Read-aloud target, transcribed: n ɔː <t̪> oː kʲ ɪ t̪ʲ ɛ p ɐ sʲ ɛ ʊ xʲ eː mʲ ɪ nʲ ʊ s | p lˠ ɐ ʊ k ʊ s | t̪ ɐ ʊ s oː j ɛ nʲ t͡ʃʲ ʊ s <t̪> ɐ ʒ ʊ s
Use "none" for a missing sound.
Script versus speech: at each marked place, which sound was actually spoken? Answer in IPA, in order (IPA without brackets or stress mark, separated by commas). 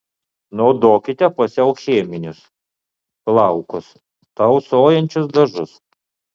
d̪, d̪